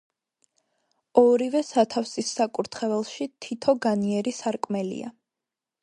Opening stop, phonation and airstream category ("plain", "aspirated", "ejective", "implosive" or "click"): aspirated